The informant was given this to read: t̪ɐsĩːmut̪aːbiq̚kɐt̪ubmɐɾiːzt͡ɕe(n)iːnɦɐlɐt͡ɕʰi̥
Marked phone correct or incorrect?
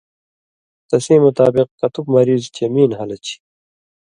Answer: incorrect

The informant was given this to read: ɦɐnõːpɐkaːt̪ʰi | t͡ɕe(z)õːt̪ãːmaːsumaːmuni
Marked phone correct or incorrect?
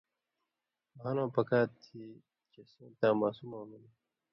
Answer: incorrect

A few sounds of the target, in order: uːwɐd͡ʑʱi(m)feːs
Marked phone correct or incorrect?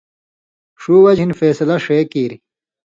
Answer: incorrect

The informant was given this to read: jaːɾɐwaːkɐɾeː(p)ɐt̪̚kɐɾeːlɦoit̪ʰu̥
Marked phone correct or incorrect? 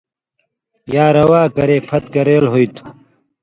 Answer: incorrect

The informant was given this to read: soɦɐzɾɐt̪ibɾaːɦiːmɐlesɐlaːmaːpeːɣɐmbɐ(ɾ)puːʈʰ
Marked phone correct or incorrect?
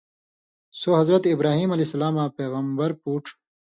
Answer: correct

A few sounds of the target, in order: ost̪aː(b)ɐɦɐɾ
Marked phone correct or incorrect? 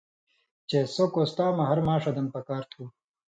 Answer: incorrect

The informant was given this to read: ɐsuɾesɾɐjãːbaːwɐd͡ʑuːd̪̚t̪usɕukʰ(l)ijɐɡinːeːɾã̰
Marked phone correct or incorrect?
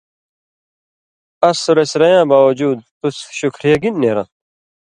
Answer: incorrect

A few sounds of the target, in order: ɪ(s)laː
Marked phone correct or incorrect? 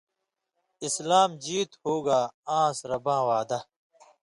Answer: correct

